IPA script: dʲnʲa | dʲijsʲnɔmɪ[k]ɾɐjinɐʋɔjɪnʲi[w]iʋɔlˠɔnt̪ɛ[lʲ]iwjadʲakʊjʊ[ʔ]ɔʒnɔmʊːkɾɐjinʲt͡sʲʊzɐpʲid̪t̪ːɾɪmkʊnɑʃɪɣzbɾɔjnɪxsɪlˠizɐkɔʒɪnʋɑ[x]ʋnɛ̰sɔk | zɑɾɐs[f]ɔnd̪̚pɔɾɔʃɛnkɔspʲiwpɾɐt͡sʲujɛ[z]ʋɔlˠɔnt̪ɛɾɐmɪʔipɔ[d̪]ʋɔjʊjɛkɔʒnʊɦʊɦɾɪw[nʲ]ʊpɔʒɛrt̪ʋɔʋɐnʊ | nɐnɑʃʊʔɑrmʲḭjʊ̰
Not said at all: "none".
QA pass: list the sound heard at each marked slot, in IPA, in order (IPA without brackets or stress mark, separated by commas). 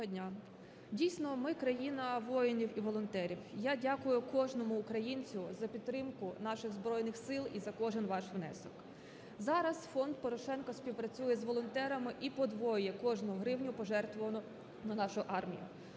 k, w, ɾʲ, k, ʃ, f, z, d̪, nʲ